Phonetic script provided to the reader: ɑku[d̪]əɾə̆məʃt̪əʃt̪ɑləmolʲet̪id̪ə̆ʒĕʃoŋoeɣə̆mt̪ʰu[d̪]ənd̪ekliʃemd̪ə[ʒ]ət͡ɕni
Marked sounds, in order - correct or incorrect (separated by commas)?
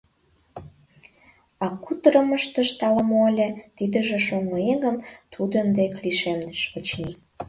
incorrect, correct, incorrect